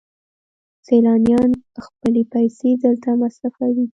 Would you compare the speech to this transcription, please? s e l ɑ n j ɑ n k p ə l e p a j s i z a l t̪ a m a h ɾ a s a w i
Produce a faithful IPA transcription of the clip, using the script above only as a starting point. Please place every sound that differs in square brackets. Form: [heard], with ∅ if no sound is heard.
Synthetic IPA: s e l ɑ n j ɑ n [x] p ə l e p a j s [e] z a l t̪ a m a [s] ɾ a [f] a w i